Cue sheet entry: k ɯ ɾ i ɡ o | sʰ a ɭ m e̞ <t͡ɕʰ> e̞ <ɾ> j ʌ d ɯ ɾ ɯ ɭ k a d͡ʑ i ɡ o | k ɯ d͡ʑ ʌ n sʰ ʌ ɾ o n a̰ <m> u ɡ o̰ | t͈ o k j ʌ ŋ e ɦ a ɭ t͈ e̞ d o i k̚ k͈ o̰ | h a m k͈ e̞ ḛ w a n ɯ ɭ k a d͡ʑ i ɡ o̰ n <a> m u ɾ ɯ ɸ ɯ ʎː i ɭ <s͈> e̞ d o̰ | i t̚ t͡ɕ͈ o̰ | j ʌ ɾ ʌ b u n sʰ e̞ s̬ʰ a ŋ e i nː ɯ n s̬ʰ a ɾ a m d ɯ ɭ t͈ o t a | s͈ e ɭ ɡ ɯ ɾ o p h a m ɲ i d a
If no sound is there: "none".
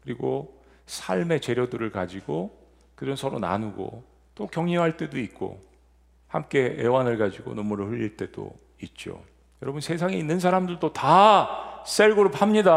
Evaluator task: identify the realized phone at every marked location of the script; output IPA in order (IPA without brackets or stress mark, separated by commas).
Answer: t͡ɕ, ɾ, n, ʌ, t͈